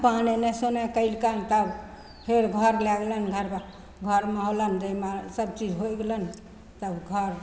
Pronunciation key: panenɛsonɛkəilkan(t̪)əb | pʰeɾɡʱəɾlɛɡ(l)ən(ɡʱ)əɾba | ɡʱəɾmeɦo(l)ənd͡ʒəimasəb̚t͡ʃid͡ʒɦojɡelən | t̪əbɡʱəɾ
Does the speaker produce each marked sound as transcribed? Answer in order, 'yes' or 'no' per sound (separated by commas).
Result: yes, yes, yes, yes